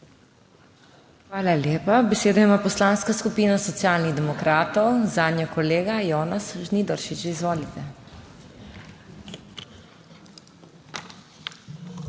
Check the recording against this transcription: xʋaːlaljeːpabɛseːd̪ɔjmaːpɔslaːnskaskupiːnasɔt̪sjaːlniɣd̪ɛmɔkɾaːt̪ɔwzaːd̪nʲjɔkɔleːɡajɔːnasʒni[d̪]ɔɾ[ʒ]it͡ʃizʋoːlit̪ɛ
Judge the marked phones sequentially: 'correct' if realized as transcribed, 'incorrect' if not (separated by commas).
correct, incorrect